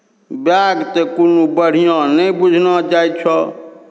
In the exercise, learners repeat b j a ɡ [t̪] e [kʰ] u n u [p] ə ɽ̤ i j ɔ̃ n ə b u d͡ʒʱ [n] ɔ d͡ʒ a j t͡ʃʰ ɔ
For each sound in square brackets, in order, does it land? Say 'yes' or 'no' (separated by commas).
yes, no, no, yes